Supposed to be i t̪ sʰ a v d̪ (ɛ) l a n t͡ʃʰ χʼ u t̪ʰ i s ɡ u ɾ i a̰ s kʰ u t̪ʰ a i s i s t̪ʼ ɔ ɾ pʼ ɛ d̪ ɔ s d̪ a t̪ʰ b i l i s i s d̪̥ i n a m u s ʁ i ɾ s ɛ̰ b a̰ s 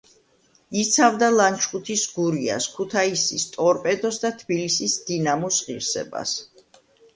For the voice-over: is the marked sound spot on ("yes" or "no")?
no